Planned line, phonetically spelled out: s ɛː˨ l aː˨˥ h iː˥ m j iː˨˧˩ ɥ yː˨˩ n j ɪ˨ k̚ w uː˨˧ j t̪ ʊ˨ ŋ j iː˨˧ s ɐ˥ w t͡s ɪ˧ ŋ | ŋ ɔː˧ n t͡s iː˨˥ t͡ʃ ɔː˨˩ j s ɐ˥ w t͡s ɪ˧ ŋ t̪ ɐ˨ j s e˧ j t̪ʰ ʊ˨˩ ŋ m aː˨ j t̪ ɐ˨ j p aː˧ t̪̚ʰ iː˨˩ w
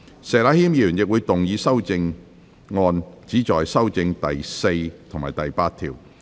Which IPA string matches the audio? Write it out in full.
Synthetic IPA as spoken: s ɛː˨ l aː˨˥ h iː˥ m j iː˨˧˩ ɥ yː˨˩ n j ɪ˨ k̚ w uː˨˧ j t̪ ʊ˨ ŋ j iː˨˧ s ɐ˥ w t͡s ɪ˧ ŋ | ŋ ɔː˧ n t͡s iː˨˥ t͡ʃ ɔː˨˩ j s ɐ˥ w t͡s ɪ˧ ŋ t̪ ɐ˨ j s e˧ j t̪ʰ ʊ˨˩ ŋ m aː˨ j t̪ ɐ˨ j p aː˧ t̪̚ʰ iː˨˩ w